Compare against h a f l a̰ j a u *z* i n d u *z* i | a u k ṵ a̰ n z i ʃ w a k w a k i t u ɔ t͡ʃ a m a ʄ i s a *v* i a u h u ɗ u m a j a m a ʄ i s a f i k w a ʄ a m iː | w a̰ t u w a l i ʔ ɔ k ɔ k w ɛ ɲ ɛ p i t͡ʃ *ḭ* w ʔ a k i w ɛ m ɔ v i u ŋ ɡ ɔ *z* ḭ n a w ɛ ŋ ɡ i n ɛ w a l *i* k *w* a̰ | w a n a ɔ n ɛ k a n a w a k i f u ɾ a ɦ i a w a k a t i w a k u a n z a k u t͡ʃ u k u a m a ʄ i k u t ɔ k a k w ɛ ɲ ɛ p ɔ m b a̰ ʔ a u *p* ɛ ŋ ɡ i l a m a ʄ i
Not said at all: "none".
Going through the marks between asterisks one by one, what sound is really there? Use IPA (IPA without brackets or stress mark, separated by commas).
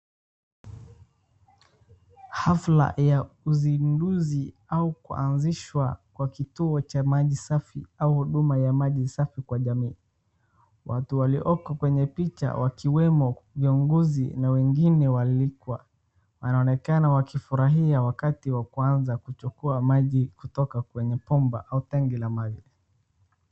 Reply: z, z, f, a̰, z, i, w, t